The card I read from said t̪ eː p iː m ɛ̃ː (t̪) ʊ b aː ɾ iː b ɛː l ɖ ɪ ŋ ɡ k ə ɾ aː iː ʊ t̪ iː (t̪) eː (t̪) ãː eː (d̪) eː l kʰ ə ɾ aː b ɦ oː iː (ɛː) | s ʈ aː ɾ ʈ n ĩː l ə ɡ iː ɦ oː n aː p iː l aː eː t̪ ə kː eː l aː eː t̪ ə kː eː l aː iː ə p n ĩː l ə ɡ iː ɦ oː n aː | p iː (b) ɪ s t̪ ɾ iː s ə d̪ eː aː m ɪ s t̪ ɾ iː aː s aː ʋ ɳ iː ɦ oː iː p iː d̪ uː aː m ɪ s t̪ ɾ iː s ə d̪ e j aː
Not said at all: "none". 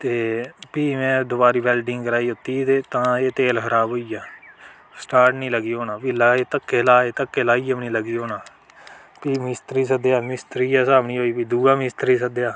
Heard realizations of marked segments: d̪, t̪, t̪, t̪, aː, m

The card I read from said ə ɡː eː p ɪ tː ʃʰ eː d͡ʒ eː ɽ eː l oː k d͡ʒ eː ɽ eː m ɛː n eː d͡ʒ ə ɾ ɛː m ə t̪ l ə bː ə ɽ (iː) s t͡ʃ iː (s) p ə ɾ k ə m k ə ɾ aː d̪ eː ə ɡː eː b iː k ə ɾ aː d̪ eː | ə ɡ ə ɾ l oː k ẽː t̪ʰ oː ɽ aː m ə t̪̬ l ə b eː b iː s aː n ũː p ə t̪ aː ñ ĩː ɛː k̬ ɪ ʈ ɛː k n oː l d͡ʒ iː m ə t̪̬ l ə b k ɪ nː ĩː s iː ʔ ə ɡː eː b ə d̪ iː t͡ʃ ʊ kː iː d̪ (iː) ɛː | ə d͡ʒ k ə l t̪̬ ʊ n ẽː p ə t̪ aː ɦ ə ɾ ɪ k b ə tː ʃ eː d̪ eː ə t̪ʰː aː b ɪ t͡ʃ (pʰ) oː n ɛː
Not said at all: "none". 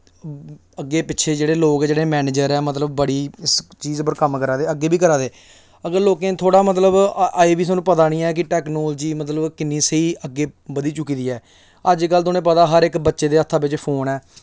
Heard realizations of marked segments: iː, z, iː, pʰ

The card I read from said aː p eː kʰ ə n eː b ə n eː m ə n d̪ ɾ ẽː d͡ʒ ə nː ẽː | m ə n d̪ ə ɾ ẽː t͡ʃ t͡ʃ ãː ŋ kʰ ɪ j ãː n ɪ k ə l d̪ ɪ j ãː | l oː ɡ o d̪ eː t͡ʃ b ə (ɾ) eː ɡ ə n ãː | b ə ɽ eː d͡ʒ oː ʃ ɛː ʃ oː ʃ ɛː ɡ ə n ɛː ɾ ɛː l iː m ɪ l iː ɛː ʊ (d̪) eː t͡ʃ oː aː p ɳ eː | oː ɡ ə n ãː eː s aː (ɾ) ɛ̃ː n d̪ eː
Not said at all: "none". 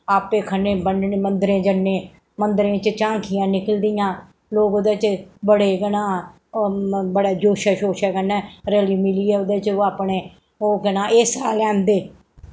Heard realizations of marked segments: ɽ, d̪, l

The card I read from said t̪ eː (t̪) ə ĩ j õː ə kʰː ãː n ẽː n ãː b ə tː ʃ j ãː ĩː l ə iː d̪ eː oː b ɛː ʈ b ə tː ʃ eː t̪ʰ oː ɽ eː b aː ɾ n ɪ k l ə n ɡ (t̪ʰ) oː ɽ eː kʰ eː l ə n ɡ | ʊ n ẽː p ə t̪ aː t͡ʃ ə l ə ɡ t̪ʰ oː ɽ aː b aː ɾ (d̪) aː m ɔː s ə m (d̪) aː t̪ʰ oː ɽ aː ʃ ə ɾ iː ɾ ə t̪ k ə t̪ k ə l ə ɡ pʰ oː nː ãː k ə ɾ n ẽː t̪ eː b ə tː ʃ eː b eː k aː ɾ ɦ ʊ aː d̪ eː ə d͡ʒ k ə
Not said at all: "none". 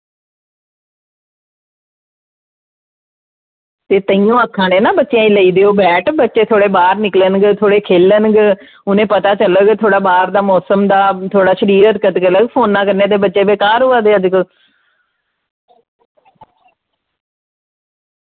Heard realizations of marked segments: t̪, t̪ʰ, d̪, d̪

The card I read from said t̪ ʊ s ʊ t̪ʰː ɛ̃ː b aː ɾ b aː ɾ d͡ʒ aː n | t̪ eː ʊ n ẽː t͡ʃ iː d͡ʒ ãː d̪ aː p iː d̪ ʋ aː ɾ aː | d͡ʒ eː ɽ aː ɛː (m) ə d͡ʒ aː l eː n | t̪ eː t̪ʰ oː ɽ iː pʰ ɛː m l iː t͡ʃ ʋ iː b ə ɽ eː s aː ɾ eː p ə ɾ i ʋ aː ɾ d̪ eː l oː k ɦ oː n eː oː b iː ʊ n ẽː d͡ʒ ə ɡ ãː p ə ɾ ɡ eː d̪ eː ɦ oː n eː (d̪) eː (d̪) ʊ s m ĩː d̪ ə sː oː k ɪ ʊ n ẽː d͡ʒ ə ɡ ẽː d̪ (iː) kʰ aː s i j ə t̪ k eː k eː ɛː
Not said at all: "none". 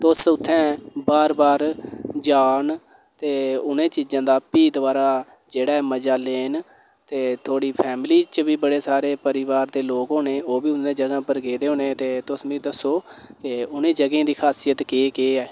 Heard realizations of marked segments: m, t̪, t̪, iː

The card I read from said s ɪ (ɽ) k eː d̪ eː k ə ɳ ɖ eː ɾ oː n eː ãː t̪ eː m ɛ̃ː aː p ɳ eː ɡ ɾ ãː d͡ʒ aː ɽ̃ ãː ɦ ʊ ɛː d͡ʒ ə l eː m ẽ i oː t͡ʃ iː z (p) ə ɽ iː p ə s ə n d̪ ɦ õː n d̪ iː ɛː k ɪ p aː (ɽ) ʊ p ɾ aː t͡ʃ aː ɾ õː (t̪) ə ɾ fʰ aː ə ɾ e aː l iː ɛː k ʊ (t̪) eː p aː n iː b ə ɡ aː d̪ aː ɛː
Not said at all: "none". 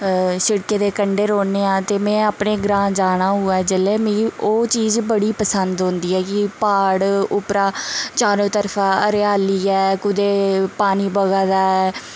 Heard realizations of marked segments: ɽ, b, ɽ, t̪, d̪

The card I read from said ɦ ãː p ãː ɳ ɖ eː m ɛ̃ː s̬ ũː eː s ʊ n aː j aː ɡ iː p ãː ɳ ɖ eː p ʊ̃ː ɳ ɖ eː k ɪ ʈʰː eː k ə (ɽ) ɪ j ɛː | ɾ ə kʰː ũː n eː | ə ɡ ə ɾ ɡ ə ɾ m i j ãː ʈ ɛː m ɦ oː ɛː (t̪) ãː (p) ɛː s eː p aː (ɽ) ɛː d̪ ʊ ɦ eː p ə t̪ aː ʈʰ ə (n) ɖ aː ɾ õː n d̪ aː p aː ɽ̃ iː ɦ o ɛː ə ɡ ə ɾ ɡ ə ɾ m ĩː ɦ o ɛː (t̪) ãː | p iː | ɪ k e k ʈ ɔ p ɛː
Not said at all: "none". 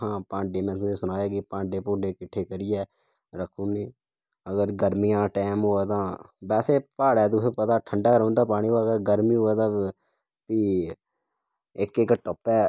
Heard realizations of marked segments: ɾ, t̪, b, ɽ, ɳ, t̪

